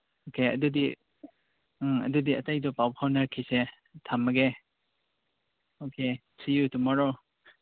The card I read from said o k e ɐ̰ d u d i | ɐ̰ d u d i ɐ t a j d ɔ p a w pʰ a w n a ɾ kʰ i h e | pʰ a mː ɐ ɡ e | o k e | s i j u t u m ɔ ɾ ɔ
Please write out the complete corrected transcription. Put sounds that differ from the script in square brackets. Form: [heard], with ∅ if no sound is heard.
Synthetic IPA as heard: o k e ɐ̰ d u d i | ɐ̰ d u d i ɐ t a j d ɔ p a w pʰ a w n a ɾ kʰ i [s] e | [tʰ] a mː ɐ ɡ e | o k e | s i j u t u m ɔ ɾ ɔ